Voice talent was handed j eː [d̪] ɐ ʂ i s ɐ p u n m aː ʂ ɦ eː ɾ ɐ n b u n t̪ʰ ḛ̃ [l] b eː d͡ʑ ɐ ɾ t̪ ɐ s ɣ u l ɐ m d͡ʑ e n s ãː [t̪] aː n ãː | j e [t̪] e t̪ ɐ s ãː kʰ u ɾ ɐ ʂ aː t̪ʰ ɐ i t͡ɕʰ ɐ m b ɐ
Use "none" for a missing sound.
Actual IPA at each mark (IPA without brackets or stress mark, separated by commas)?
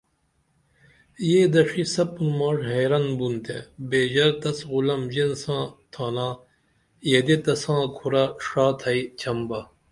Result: d̪, none, t̪ʰ, d̪